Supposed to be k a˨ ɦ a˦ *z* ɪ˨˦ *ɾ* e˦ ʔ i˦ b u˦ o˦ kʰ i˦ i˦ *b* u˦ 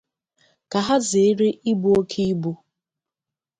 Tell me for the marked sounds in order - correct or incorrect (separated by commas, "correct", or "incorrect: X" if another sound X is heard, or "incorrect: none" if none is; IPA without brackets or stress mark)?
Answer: correct, correct, correct